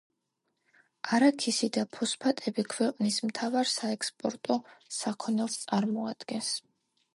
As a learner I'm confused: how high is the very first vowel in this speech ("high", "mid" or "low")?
low